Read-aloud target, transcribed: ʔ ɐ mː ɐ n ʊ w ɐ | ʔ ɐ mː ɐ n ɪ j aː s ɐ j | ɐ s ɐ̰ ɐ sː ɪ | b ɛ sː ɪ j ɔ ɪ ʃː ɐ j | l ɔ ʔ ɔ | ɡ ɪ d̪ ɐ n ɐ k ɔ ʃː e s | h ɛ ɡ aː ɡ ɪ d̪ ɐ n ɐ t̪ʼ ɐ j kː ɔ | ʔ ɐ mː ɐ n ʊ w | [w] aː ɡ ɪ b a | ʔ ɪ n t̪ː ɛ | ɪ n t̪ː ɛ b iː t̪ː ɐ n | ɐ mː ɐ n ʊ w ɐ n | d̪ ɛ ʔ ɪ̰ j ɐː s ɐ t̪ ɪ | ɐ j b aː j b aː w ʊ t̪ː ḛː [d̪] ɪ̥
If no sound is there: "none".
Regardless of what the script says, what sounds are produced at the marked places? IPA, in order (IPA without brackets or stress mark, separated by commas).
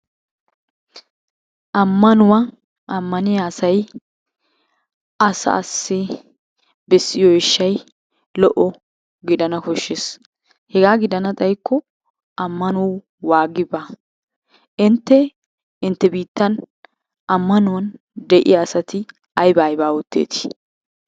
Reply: w, t̪